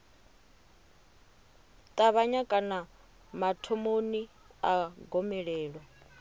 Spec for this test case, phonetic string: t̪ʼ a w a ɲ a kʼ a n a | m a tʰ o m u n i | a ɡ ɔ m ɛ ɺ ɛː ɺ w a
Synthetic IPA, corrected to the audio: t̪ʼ a β a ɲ a kʼ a n a | m a tʰ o m o n i | a ɡ ɔ m ɛ ɺ ɛː ɺ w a